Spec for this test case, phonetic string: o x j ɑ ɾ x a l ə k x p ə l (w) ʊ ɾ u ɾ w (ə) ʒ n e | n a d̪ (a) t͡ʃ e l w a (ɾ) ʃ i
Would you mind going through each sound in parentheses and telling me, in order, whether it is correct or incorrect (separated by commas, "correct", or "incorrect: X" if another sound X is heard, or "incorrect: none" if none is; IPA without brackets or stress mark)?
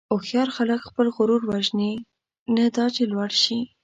incorrect: ɣ, incorrect: a, incorrect: ɑ, incorrect: ɽ